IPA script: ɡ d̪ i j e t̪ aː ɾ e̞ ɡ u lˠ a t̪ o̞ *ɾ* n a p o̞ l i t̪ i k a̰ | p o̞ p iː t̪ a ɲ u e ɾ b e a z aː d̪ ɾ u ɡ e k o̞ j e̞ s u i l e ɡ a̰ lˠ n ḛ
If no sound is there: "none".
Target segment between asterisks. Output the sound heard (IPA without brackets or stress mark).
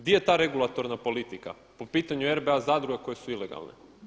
ɾ